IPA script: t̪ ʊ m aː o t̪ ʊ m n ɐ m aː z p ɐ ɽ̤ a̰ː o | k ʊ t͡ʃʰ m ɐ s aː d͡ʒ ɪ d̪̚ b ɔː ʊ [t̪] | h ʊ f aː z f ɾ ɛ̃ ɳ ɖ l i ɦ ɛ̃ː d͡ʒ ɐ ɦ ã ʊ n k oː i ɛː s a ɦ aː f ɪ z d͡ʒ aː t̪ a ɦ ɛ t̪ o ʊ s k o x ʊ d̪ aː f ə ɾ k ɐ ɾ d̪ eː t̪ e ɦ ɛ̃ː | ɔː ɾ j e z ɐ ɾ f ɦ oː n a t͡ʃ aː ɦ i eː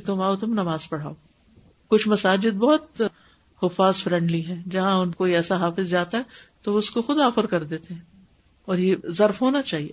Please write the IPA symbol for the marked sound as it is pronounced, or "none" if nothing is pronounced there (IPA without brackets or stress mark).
t̪